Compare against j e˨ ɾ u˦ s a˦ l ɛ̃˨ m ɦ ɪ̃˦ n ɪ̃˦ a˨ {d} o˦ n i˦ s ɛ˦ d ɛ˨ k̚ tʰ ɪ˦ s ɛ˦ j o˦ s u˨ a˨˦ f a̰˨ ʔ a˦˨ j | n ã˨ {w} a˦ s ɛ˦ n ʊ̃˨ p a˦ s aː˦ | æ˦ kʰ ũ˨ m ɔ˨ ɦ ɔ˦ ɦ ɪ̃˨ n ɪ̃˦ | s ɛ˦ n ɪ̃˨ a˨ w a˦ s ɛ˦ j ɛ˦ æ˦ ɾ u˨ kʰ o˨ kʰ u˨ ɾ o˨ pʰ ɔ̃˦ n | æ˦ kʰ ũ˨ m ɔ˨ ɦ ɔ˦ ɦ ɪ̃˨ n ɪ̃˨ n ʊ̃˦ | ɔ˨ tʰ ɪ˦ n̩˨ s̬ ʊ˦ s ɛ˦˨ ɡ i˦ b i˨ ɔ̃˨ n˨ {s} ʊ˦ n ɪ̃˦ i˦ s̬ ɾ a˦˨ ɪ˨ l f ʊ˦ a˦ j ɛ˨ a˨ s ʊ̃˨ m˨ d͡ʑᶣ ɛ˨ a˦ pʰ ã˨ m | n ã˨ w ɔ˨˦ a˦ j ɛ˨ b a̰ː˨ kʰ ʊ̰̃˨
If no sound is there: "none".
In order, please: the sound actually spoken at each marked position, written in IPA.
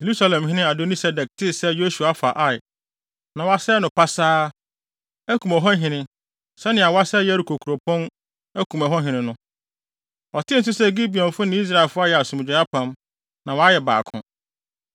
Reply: d, w, f

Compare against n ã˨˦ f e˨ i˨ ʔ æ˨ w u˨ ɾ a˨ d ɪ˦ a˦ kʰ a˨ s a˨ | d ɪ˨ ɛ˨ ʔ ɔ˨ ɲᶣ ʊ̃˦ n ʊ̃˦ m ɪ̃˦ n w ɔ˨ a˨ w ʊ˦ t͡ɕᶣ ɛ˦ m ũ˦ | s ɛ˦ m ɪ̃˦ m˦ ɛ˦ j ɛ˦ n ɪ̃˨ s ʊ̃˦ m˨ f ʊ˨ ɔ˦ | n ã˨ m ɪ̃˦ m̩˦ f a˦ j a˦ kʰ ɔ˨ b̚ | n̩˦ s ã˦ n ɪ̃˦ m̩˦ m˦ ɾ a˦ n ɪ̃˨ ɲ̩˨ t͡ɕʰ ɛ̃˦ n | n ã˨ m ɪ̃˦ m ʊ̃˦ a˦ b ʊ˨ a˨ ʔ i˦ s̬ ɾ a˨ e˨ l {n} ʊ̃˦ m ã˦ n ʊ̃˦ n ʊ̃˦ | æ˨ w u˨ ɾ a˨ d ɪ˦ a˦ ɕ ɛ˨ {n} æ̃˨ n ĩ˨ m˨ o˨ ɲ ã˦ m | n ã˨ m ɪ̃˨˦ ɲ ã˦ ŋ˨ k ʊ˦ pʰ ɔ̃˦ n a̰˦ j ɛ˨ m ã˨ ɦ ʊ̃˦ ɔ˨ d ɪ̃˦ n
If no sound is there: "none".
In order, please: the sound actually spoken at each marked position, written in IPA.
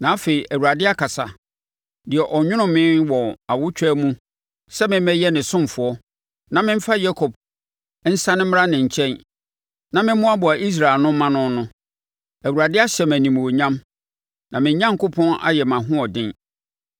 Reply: n, m

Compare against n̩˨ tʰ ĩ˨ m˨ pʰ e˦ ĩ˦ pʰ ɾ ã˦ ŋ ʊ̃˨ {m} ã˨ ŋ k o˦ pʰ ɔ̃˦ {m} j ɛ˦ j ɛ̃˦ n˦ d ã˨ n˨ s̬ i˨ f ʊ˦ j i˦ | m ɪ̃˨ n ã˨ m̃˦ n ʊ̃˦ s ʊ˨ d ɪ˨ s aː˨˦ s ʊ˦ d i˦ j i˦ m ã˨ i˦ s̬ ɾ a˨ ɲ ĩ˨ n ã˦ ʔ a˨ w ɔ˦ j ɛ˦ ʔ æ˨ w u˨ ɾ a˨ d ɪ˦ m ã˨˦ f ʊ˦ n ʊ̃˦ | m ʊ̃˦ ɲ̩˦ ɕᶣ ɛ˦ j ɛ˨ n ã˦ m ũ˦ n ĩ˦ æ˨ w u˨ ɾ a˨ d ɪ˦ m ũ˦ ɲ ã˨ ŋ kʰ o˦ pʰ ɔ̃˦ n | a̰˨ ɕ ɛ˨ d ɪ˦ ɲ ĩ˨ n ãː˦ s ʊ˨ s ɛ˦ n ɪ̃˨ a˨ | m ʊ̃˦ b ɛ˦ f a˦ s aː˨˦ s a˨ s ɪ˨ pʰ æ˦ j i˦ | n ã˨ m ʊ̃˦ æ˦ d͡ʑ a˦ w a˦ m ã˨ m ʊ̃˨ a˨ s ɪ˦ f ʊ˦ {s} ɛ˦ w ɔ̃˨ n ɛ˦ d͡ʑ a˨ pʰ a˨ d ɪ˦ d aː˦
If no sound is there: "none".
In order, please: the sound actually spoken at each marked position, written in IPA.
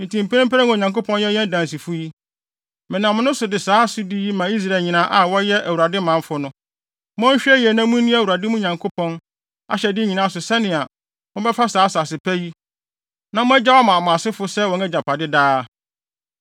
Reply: ɲ, n, s

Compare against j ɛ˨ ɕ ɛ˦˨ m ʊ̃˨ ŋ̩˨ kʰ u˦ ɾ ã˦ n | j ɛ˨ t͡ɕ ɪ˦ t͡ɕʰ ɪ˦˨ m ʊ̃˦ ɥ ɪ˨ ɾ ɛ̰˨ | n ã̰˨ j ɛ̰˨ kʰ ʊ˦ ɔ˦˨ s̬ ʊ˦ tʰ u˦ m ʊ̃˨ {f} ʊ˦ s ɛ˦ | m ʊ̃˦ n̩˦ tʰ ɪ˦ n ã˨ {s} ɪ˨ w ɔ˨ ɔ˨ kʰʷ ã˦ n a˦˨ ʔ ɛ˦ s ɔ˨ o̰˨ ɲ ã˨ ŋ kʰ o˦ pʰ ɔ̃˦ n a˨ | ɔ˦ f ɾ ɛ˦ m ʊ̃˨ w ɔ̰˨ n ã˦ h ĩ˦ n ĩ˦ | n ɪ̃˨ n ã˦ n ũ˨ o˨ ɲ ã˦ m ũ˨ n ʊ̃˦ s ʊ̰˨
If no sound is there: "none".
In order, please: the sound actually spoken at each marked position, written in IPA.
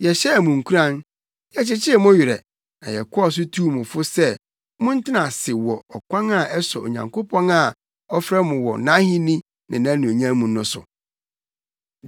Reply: f, s

